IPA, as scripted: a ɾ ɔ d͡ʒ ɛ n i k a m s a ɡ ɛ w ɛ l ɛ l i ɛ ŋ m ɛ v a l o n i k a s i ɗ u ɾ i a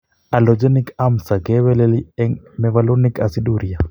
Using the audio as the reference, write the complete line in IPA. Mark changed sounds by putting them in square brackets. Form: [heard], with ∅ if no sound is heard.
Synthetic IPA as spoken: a [l] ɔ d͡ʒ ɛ n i k a m s a ɡ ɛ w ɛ l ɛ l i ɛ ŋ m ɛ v a l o n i k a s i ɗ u ɾ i a